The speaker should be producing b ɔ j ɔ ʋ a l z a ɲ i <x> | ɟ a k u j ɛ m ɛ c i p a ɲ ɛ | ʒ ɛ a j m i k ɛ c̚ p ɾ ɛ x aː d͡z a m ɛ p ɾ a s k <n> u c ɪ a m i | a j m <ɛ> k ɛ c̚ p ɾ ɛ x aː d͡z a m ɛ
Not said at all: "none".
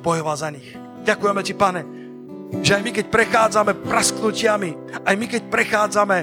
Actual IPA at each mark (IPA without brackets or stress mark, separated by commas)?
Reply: x, n, i